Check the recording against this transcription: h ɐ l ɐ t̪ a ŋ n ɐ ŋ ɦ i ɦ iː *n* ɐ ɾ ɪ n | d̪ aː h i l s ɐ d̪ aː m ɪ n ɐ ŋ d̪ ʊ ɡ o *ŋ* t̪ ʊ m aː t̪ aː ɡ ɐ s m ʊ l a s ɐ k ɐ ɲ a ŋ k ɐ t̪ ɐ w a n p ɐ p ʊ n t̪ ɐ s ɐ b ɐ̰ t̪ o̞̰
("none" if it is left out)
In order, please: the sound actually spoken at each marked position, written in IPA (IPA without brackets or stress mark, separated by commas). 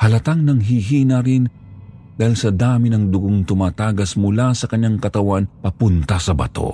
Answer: n, ŋ